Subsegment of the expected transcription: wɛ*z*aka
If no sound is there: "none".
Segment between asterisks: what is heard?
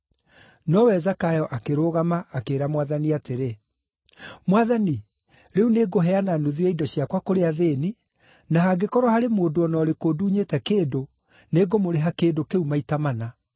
z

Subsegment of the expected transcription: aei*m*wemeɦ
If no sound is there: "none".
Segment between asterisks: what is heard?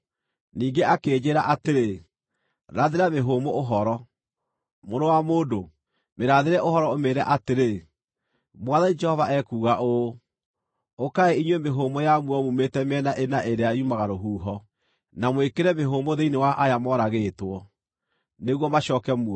ɲ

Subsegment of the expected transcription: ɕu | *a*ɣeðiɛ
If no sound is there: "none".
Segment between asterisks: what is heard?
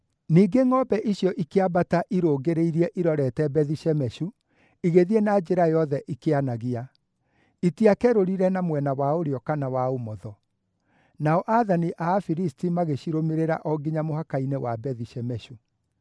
i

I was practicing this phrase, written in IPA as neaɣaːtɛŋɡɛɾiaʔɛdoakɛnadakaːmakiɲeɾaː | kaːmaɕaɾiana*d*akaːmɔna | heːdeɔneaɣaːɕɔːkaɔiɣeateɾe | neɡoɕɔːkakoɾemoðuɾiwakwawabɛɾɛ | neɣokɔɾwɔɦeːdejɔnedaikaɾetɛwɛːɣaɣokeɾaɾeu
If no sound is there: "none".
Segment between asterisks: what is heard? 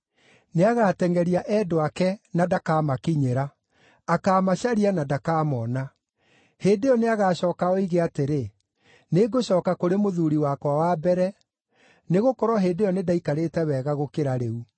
d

